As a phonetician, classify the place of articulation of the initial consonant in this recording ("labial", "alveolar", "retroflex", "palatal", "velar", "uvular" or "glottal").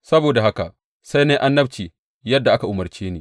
alveolar